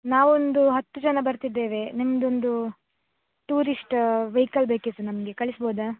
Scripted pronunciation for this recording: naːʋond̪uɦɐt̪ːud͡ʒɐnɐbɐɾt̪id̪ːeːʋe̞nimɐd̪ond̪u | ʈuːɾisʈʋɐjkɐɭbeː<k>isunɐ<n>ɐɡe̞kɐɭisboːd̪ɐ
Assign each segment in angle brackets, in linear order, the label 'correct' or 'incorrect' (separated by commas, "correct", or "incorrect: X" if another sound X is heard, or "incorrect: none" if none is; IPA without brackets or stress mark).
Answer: correct, incorrect: m